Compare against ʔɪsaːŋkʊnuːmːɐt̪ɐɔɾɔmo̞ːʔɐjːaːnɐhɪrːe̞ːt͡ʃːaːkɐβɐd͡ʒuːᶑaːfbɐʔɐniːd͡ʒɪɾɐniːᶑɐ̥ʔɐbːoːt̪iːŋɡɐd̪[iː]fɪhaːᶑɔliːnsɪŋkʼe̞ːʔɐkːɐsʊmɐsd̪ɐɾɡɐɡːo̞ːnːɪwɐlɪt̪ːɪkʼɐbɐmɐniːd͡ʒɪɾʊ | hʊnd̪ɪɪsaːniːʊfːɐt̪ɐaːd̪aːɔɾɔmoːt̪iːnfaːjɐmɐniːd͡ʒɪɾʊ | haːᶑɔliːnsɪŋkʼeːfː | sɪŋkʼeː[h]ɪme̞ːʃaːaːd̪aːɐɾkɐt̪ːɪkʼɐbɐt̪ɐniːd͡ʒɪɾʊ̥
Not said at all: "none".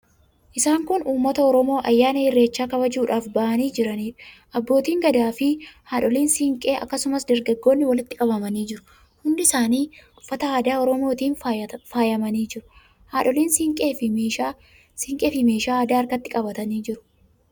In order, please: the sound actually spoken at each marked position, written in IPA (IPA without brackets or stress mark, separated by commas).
aː, f